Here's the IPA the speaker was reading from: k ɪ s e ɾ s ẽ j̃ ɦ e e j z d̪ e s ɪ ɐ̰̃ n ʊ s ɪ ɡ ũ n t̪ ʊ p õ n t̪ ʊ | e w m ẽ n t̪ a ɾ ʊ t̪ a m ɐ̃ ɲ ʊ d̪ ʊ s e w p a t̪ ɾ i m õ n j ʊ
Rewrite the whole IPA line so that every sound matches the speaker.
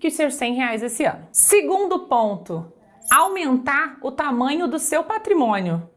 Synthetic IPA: k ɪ s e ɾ s ẽ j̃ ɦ e a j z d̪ e s ɪ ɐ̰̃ n ʊ s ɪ ɡ ũ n d̪ ʊ p õ n t̪ ʊ | a w m ẽ n t̪ a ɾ ʊ t̪ a m ɐ̃ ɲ ʊ d̪ ʊ s e w p a t̪ ɾ i m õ n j ʊ